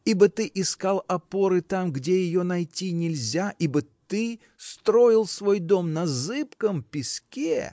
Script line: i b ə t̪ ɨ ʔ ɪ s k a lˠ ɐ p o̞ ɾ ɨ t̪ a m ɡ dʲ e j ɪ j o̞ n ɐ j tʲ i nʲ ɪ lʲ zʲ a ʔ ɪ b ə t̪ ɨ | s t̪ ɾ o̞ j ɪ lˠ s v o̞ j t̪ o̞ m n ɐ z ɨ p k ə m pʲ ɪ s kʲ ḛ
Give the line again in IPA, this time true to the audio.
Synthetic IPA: i b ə t̪ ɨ ʔ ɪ s k a lˠ ɐ p o̞ ɾ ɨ t̪ a m ɡ dʲ e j ɪ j o̞ n ɐ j tʲ i nʲ ɪ lʲ zʲ a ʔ i b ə t̪ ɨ | s t̪ ɾ o̞ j ɪ lˠ s v o̞ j d̪ o̞ m n ɐ z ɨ p k ə m pʲ ɪ s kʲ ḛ